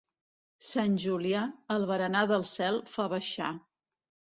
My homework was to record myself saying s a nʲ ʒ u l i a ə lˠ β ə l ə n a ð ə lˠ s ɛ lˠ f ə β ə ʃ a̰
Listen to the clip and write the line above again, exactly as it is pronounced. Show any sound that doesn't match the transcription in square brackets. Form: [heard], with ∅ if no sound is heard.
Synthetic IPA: s a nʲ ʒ u l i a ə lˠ β ə [ɾ] ə n a ð ə lˠ s ɛ lˠ f [a] β ə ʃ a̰